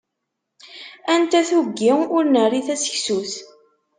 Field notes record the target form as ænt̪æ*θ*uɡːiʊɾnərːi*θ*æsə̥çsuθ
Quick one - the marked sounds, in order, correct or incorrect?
correct, correct

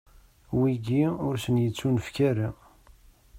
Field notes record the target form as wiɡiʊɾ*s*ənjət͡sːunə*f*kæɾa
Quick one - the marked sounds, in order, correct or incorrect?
correct, correct

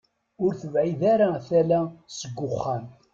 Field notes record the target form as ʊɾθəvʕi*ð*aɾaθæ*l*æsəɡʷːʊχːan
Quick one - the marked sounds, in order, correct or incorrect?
correct, correct

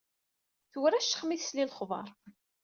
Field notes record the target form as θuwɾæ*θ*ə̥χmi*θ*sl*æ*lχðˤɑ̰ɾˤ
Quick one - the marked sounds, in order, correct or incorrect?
incorrect, correct, incorrect

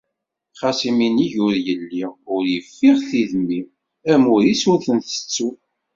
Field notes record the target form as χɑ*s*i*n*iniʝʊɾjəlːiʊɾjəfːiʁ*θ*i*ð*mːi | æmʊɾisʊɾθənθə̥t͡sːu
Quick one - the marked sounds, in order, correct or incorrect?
correct, incorrect, correct, correct

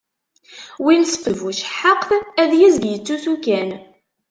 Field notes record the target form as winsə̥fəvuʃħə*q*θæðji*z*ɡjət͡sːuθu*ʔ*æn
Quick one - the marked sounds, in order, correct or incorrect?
correct, correct, incorrect

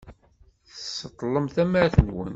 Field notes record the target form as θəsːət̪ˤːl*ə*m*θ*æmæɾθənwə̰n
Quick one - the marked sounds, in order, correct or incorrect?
correct, correct

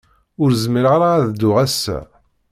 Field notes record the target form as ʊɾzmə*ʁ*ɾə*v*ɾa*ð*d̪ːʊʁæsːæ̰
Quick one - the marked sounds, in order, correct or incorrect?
incorrect, incorrect, correct

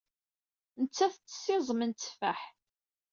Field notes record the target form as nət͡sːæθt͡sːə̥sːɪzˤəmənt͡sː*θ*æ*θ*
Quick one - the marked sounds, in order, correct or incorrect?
incorrect, incorrect

